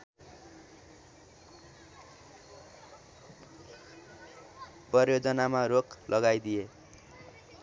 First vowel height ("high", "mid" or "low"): mid